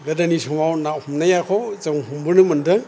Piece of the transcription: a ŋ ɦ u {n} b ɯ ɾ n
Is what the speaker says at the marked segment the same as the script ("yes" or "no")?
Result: no